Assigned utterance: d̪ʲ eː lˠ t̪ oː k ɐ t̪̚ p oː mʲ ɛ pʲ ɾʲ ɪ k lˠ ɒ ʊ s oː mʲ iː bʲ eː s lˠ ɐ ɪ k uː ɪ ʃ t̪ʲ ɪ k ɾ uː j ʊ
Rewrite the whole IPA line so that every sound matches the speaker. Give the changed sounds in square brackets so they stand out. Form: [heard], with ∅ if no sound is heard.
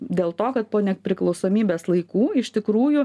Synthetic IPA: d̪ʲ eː lˠ t̪ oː k ɐ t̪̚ p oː [nʲ] ɛ pʲ ɾʲ ɪ k lˠ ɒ ʊ s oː mʲ iː bʲ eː s lˠ ɐ ɪ k uː ɪ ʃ t̪ʲ ɪ k ɾ uː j ʊ